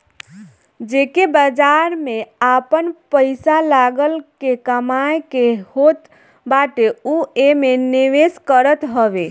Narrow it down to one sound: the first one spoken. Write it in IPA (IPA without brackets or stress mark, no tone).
d͡ʒ